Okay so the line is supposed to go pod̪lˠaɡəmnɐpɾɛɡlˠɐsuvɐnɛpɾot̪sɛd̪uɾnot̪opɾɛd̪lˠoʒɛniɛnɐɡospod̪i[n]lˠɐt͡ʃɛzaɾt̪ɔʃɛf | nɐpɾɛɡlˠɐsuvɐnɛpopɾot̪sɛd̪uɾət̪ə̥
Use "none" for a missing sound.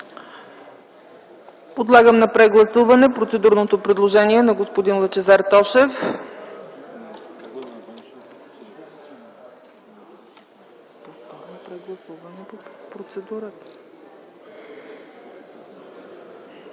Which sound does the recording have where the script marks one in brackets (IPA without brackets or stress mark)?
n